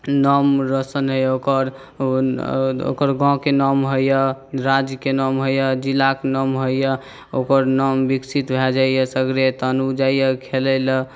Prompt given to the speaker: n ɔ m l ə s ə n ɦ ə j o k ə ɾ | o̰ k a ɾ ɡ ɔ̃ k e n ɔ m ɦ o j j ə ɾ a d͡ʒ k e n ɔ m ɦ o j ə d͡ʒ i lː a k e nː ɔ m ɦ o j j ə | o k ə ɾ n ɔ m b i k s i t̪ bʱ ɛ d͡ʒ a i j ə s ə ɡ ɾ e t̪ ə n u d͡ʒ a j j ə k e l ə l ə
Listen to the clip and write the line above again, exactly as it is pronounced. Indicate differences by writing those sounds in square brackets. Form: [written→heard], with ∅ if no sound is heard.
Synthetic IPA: n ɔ m [l→ɾ] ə s ə n ɦ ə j o k ə ɾ | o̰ k [a→ə] ɾ ɡ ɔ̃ k e n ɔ m ɦ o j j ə ɾ a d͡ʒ k e n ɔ m ɦ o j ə d͡ʒ i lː a k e [nː→n] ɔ m ɦ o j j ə | o k ə ɾ n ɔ m b i k s i t̪ bʱ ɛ d͡ʒ a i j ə s ə ɡ ɾ e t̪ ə n u d͡ʒ a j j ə [k→kʰ] e l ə l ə